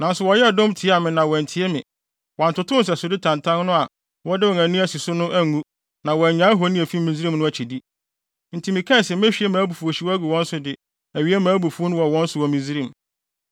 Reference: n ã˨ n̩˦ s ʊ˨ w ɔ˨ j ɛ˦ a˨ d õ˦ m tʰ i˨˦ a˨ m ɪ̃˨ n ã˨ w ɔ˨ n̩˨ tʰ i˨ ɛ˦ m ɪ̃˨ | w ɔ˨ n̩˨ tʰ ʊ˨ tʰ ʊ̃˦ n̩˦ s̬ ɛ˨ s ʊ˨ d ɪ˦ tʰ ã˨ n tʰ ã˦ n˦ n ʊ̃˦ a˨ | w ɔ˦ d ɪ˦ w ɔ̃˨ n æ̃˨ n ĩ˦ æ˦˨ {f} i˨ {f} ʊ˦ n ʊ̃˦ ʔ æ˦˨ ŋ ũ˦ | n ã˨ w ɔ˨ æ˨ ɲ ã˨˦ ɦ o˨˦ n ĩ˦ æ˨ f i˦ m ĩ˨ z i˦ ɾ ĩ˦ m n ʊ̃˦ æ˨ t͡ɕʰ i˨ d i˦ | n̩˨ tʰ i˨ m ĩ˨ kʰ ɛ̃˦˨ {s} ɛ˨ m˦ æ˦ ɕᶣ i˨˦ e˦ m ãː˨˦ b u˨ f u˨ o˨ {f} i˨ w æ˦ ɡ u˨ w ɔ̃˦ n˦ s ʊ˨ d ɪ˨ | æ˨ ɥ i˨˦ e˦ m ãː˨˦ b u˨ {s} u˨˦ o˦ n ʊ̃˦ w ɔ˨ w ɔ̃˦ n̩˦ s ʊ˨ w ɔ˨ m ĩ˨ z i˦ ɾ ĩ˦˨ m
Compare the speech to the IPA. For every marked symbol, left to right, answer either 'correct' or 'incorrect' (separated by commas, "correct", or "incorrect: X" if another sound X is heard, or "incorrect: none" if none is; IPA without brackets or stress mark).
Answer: incorrect: s, incorrect: s, correct, incorrect: ɕ, incorrect: f